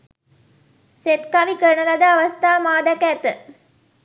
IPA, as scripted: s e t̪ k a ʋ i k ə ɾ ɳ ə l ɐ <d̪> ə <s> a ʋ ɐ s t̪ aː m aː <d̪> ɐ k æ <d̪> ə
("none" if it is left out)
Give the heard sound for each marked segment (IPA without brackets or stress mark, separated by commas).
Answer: d̪, none, d̪, t̪